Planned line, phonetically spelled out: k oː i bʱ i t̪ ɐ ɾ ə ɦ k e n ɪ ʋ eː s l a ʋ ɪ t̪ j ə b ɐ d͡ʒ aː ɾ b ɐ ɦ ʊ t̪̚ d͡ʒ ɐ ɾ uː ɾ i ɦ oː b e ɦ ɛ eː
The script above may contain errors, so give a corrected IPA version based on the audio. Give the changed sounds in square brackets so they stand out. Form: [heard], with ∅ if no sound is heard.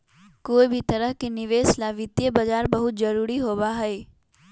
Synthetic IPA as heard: k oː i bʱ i t̪ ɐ ɾ ə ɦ k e n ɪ ʋ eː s l a ʋ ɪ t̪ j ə b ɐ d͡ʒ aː ɾ b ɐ ɦ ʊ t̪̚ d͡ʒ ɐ ɾ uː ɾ i ɦ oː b [a] ɦ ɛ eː